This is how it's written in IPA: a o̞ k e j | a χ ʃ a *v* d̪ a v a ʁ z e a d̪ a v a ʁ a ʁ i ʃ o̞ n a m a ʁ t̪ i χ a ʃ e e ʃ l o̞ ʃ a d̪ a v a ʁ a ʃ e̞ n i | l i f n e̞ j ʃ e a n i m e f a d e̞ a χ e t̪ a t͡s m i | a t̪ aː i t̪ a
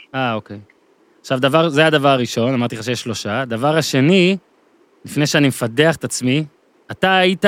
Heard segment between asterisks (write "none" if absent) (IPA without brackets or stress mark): v